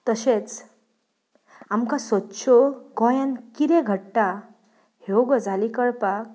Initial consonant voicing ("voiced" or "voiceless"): voiceless